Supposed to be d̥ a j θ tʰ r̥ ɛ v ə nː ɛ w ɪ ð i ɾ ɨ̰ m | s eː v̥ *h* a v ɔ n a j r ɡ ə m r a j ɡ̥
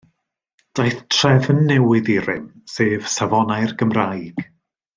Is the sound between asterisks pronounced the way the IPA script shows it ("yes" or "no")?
no